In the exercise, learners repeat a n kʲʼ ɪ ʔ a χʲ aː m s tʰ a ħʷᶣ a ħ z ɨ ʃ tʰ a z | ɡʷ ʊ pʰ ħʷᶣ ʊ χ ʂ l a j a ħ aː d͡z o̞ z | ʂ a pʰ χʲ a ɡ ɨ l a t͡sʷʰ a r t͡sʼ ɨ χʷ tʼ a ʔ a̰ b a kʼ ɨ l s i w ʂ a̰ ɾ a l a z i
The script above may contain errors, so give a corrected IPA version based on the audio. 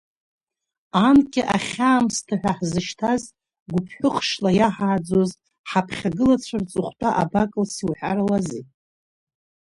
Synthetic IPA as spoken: a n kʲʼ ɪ ʔ a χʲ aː m s tʰ a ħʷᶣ a ħ z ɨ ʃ tʰ a z | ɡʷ ʊ pʰ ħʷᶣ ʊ χ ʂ l a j a ħ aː d͡z o̞ z | ħ a pʰ χʲ a ɡ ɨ l a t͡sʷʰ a r t͡sʼ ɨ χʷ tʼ a ʔ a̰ b a kʼ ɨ l s i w ħ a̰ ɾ a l a z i